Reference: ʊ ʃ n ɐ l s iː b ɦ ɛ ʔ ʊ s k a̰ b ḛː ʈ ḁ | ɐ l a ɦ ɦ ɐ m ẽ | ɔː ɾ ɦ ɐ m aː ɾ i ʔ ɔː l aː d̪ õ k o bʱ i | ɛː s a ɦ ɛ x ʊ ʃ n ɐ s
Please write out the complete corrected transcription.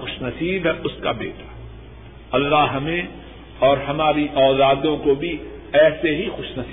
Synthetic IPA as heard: ʊ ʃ n ɐ s iː b ɦ ɛ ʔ ʊ s k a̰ b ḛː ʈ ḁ | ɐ lː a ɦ ɦ ɐ m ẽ | ɔː ɾ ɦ ɐ m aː ɾ i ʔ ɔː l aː d̪ õ k o bʱ i | ɛː s e ɦ i x ʊ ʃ n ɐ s